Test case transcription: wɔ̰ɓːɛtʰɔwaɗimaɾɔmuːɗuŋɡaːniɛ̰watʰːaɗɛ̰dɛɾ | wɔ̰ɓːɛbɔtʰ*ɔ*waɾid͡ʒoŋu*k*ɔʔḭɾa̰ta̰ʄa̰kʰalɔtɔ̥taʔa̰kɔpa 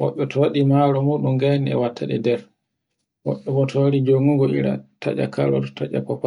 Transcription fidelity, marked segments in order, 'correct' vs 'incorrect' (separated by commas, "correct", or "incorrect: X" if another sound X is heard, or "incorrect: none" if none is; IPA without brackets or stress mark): correct, incorrect: ɡ